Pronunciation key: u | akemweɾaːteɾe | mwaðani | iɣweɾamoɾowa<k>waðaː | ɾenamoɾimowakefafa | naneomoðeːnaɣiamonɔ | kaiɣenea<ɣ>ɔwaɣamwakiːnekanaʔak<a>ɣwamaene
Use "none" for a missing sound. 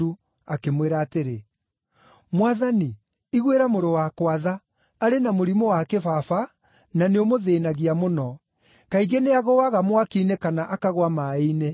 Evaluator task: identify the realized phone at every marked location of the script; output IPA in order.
k, ɣ, a

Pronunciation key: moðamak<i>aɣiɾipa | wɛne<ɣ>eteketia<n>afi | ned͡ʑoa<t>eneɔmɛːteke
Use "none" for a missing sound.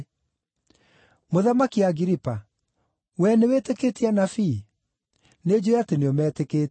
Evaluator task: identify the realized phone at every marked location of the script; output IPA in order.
i, w, n, t

